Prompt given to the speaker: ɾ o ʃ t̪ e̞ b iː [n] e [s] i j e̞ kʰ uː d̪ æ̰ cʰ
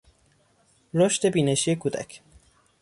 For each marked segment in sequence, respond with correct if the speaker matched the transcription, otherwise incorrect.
correct, incorrect

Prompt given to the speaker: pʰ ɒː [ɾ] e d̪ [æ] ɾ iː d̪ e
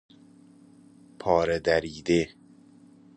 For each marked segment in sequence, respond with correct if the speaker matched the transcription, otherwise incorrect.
correct, correct

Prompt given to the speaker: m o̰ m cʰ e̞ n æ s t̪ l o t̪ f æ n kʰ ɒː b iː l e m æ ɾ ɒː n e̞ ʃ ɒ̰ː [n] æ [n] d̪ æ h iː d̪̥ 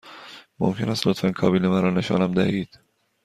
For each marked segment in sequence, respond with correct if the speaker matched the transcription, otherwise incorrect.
correct, incorrect

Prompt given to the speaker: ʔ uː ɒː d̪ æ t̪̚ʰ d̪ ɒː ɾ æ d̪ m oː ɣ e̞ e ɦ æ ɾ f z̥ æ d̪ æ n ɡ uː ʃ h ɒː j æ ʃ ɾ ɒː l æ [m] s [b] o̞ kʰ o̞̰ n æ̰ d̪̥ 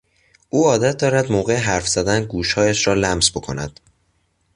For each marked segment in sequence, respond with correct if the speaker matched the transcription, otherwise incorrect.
correct, correct

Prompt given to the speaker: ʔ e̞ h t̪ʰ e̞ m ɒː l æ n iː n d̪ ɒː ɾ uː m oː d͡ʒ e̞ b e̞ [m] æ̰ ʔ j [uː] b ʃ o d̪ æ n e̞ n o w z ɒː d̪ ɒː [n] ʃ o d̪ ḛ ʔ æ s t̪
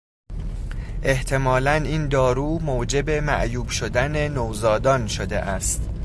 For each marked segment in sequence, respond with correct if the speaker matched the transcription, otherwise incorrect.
correct, correct, correct

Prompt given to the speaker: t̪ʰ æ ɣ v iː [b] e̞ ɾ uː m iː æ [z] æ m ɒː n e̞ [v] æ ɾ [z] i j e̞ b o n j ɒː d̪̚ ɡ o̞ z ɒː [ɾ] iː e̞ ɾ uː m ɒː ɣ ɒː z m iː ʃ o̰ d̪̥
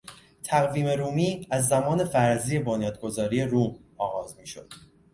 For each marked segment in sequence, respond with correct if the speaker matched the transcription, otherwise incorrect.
incorrect, incorrect, incorrect, correct, correct

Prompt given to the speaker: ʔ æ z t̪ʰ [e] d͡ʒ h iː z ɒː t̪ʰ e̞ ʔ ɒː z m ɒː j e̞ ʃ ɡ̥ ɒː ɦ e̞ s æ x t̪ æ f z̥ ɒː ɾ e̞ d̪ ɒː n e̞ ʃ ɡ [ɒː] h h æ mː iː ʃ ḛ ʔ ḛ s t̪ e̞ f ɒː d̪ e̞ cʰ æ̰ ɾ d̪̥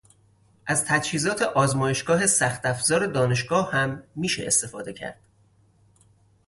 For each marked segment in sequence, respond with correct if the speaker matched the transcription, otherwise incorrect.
incorrect, correct

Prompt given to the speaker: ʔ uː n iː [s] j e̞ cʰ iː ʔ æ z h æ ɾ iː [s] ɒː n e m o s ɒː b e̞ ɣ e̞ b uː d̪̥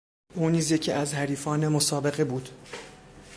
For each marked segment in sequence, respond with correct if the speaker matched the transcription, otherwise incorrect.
incorrect, incorrect

